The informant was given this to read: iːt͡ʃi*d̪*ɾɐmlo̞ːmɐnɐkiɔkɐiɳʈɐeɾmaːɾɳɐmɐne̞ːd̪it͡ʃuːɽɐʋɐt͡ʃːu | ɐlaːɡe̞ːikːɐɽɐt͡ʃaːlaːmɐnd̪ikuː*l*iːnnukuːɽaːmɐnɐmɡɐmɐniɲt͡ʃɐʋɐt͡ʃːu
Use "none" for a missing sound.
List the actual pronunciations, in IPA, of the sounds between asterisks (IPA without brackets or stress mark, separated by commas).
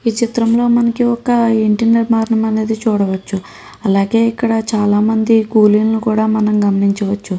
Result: t̪, l